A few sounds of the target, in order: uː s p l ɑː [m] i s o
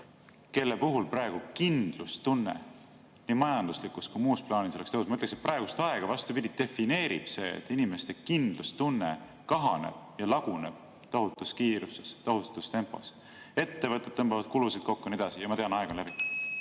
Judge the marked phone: incorrect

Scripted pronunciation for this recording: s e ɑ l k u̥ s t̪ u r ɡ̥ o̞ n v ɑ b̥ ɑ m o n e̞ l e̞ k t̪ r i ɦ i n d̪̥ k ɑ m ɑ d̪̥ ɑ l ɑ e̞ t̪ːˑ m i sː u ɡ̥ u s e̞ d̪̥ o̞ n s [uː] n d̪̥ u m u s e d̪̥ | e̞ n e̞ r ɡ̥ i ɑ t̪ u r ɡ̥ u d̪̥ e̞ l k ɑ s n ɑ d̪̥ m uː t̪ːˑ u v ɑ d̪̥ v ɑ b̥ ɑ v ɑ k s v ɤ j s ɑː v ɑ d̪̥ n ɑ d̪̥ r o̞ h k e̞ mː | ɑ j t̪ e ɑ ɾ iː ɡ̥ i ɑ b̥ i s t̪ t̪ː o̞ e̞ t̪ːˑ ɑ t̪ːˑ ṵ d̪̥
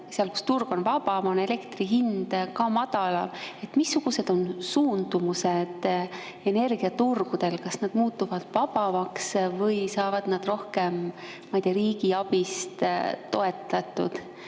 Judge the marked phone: correct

